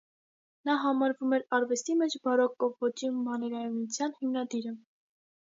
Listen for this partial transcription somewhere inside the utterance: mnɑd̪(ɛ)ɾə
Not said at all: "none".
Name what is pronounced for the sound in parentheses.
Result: i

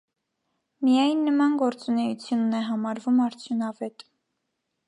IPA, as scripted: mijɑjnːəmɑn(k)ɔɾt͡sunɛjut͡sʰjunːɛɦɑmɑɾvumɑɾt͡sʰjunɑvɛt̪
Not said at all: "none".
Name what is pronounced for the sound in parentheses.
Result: ɡ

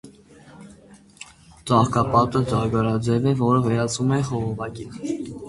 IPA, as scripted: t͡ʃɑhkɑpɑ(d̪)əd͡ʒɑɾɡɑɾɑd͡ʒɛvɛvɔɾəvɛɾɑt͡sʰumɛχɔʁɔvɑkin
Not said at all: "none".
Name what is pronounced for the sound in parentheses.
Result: t̪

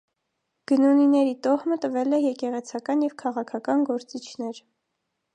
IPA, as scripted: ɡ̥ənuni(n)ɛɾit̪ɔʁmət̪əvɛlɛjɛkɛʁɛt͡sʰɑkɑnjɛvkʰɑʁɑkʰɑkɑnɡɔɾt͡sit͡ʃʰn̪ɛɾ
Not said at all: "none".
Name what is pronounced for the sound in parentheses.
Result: n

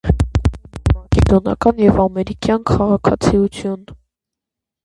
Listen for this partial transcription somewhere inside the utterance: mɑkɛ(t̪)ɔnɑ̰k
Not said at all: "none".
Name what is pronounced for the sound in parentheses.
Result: d̪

